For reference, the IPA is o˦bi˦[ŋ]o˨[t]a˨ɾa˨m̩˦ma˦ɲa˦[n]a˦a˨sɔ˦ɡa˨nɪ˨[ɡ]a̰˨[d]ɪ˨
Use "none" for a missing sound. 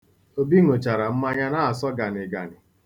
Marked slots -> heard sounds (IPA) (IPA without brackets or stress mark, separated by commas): ŋ, t͡ʃ, n, ɡ, n